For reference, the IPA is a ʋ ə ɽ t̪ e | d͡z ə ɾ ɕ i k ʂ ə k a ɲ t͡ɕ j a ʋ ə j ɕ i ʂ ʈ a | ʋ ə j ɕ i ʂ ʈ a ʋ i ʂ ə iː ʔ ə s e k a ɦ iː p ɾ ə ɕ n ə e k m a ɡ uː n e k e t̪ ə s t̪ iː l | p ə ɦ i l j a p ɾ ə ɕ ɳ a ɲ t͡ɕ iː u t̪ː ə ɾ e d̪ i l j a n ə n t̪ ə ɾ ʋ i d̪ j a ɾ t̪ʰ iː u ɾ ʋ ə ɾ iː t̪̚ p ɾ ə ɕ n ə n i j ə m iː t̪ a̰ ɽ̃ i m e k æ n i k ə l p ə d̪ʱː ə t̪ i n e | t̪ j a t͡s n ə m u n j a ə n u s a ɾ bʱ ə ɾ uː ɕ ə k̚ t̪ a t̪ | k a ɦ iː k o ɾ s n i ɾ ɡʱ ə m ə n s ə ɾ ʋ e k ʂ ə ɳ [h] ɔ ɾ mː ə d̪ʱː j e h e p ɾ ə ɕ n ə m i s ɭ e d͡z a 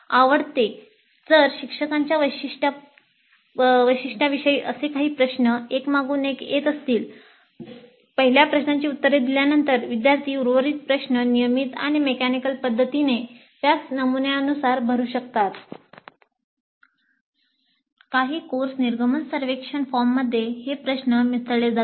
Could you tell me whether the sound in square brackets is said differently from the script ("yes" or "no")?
yes